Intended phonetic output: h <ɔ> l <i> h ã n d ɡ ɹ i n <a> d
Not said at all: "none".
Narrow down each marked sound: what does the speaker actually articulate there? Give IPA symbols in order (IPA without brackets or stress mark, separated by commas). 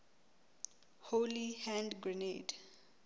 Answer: o, i, e